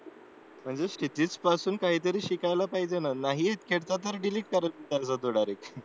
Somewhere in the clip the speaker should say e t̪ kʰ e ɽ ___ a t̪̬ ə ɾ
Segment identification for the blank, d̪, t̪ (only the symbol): t̪